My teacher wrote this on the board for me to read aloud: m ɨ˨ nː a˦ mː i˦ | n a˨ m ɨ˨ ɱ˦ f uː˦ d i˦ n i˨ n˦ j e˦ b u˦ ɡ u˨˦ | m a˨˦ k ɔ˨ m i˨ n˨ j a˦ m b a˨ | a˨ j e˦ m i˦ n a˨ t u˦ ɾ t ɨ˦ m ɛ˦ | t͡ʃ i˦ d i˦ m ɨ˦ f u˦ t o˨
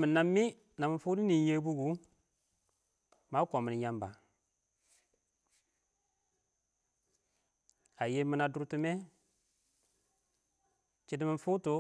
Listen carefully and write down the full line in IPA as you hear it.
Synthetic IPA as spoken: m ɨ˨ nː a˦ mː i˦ | n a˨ m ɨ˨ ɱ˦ f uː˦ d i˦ n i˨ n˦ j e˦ b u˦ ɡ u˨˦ | m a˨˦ k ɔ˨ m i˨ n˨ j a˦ m b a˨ | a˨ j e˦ m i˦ n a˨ d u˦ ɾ t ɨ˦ m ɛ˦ | t͡ʃ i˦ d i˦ m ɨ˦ f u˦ t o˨